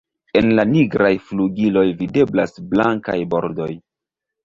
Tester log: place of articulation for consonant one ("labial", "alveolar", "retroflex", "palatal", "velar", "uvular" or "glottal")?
alveolar